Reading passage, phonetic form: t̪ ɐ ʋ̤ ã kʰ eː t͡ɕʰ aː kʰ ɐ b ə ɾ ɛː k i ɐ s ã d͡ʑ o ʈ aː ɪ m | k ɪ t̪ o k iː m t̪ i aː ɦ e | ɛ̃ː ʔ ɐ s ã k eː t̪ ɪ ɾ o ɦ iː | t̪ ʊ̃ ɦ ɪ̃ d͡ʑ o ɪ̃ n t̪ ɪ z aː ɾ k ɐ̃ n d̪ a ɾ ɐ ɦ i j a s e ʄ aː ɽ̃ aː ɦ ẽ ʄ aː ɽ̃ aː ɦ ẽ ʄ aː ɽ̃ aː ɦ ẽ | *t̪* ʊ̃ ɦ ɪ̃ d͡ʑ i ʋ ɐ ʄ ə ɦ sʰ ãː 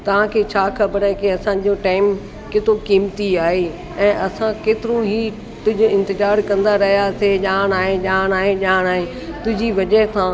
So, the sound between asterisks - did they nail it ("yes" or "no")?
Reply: yes